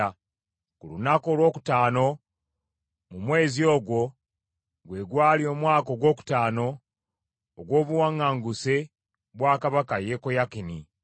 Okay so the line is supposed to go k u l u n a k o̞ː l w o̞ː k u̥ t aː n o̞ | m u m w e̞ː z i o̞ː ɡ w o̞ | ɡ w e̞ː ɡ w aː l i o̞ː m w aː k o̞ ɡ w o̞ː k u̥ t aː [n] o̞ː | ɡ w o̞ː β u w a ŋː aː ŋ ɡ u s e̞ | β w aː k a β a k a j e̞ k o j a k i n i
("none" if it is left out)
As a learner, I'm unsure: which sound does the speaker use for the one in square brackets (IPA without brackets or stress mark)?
n